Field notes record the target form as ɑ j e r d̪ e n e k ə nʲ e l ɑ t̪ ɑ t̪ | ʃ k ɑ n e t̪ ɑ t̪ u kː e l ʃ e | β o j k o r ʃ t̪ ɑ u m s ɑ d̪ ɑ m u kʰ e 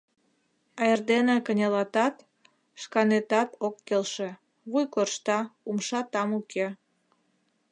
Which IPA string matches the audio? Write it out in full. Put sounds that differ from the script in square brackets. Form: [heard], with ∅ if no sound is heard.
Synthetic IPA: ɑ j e r d̪ e n e k ə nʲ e l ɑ t̪ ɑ t̪ | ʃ k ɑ n e t̪ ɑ t̪ [o] kː e l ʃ e | β [u] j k o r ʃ t̪ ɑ u m [ʃ] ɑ [t̪] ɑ m u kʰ e